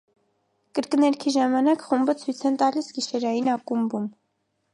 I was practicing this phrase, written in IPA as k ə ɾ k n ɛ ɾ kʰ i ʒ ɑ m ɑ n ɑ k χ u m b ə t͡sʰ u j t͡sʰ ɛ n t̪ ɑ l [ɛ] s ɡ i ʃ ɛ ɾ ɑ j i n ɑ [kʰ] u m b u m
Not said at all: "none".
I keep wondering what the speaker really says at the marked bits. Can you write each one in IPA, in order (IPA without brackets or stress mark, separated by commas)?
i, k